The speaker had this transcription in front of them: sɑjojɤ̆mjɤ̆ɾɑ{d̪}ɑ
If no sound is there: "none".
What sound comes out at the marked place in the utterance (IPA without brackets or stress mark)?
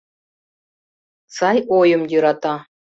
t̪